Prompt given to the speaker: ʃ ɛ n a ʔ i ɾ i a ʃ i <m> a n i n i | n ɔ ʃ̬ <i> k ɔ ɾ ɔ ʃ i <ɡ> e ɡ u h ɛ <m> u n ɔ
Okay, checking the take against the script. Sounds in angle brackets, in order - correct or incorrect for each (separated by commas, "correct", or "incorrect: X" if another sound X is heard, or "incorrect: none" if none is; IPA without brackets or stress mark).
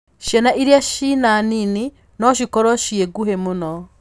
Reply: incorrect: n, correct, incorrect: none, correct